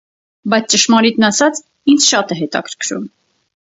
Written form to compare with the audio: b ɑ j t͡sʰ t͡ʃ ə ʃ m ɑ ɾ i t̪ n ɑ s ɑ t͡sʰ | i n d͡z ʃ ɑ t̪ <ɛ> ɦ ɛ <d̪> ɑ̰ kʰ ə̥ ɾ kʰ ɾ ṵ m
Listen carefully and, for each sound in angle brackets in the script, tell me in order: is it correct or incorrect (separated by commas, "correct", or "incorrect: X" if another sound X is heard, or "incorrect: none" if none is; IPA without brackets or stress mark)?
correct, incorrect: t̪